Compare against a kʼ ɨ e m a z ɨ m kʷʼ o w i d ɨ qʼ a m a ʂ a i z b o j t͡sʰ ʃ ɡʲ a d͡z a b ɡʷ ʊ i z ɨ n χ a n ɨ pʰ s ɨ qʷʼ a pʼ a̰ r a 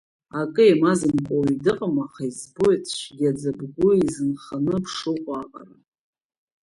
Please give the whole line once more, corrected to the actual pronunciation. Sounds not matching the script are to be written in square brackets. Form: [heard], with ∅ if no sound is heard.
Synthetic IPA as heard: a kʼ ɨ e m a z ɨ m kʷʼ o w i d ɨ qʼ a m a [χ] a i z b o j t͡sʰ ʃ ɡʲ a d͡z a b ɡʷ ʊ i z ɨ n χ a n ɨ pʰ [ʂ] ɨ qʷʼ a [qʼ] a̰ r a